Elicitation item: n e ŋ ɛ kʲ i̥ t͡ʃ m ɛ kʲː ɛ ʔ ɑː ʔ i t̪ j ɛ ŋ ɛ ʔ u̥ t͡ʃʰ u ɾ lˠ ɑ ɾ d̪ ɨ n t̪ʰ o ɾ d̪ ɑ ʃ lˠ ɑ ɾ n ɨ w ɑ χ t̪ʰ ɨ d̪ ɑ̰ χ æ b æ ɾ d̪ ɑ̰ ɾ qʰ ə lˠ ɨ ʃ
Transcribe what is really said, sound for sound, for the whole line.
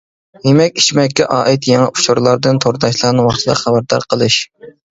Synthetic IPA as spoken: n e m ɛ kʲ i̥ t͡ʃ m ɛ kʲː ɛ ʔ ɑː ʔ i t̪ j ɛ ŋ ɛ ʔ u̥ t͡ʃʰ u ɾ lˠ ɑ ɾ d̪ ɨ n t̪ʰ o ɾ d̪ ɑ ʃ lˠ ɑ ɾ n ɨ w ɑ χ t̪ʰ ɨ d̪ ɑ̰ χ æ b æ ɾ d̪ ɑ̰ ɾ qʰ ə lˠ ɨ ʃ